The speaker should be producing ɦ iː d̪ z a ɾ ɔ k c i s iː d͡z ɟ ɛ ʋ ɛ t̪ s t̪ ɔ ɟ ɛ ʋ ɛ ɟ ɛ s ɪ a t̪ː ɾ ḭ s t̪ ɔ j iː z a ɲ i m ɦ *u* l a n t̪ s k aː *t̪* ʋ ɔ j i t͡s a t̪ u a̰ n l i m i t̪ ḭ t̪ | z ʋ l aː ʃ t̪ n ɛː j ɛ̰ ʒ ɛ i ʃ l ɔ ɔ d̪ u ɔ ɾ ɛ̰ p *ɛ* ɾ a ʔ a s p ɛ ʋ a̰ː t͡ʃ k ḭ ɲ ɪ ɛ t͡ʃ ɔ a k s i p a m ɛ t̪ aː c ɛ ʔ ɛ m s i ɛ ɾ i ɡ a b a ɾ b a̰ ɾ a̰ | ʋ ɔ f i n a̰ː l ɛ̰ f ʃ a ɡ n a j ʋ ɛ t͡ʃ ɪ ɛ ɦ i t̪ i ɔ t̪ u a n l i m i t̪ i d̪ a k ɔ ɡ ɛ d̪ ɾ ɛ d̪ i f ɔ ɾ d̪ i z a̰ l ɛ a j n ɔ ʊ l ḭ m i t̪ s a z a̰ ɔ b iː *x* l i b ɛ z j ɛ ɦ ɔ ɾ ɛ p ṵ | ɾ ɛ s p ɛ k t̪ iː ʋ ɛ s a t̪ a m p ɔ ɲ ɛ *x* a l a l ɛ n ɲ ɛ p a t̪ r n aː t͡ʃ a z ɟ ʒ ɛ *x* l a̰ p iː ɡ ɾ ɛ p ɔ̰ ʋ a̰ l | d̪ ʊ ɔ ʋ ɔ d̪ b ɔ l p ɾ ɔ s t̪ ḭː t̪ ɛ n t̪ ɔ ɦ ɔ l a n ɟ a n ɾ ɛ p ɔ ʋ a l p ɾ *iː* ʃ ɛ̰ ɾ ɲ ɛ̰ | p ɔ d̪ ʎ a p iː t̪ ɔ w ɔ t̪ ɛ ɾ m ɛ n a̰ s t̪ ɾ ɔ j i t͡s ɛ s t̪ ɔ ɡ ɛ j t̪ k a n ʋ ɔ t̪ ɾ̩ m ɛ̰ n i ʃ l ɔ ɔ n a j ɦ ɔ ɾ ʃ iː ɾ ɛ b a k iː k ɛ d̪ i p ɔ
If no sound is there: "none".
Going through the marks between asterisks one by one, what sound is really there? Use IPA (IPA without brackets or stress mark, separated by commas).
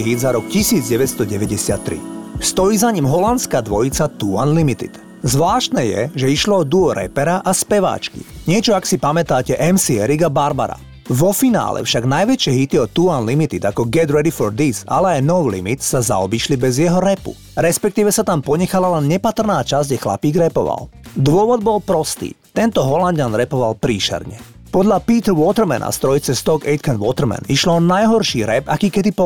ɔ, d̪, ɛ, ʃ, x, x, iː